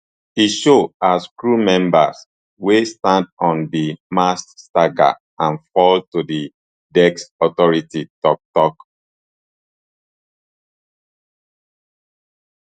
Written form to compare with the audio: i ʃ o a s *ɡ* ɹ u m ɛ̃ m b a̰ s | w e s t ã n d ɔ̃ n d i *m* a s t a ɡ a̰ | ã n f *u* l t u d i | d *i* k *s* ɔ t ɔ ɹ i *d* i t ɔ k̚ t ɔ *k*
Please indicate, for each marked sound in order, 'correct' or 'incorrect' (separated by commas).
incorrect, correct, incorrect, incorrect, correct, incorrect, correct